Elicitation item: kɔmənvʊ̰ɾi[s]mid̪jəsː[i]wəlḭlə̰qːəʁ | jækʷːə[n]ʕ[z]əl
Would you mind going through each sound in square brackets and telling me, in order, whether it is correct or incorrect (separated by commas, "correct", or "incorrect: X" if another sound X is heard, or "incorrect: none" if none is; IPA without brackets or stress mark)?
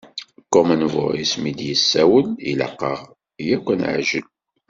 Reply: correct, incorrect: æ, correct, incorrect: ʒ